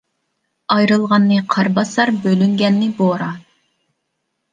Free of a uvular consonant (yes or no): no